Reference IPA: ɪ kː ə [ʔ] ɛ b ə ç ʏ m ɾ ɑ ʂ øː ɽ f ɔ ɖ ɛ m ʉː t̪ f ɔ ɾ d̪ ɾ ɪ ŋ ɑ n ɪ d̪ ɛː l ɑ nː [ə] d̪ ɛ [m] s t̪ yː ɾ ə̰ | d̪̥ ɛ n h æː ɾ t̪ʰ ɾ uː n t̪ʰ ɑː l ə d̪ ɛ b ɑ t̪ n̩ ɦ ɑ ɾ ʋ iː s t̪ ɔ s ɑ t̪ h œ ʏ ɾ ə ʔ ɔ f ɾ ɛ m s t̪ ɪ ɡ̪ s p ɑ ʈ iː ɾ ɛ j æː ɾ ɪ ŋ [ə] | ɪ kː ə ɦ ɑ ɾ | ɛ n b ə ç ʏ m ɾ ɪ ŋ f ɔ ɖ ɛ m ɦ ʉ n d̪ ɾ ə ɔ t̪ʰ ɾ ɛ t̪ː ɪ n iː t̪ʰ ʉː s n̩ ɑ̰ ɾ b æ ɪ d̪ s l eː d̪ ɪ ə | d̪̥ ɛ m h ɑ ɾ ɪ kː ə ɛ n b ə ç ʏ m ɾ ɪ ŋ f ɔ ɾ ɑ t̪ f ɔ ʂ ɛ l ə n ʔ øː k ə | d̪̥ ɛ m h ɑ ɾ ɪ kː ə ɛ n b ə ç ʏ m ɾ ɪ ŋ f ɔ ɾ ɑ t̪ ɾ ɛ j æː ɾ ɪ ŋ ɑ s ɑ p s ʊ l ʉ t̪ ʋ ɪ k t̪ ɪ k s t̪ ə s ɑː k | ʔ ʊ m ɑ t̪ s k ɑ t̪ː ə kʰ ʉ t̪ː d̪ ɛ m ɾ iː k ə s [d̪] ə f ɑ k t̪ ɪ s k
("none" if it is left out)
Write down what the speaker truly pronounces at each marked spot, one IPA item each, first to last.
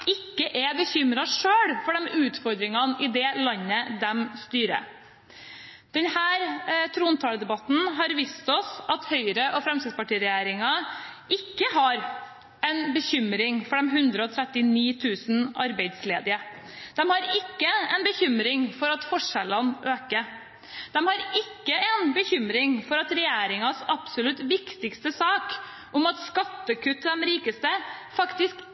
ʔ, ə, m, ɑ, t̪

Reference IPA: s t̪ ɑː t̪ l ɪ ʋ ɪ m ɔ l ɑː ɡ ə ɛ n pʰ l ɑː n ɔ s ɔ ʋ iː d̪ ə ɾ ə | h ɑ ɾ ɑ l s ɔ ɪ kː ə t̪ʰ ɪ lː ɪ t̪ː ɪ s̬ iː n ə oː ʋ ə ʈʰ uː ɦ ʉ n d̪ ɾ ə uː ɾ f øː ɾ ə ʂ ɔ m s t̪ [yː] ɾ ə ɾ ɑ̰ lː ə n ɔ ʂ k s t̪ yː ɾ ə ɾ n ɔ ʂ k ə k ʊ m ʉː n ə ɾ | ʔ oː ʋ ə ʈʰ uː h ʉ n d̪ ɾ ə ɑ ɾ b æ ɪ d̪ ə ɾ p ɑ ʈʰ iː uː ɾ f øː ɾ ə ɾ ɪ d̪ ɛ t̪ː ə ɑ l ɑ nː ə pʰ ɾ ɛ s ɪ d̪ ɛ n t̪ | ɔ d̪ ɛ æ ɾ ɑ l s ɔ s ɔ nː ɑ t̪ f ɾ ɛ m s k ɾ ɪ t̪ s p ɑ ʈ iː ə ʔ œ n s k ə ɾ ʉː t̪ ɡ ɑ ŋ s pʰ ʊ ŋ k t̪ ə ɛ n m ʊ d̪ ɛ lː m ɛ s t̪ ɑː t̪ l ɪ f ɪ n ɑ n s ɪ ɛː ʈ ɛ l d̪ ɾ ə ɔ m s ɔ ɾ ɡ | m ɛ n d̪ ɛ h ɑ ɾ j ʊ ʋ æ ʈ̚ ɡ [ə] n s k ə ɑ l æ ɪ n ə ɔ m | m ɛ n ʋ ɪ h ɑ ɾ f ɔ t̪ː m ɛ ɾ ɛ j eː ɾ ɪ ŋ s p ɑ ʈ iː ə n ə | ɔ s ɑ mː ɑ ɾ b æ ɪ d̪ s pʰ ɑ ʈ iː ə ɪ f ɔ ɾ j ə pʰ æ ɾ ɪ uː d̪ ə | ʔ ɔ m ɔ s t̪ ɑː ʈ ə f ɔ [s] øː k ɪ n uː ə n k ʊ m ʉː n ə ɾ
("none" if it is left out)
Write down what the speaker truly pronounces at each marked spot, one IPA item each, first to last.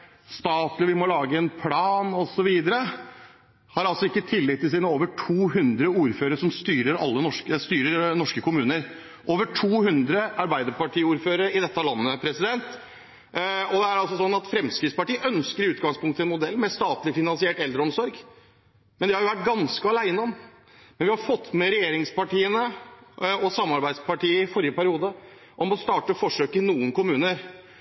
yː, ɑ, ʂ

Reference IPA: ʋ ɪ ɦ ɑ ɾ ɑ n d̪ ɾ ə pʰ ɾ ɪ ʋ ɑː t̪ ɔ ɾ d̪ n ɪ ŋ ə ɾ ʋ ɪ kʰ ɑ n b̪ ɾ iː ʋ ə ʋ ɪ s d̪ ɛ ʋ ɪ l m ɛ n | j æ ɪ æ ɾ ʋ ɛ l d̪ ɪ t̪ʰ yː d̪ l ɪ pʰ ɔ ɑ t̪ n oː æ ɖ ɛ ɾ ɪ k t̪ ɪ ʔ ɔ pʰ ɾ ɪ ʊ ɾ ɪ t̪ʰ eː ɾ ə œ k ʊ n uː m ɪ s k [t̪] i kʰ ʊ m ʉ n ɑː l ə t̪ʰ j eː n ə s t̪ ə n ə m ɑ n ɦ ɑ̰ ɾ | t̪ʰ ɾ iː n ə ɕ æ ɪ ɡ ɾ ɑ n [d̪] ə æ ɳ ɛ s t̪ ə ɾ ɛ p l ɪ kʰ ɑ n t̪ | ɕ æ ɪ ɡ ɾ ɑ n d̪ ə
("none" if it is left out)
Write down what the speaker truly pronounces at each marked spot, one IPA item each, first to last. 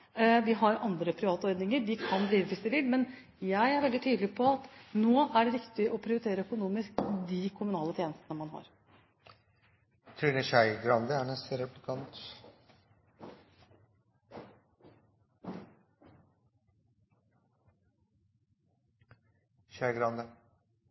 d̪, d̪

